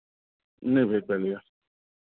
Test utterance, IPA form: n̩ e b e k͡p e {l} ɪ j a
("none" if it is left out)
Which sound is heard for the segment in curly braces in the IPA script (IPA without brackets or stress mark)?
l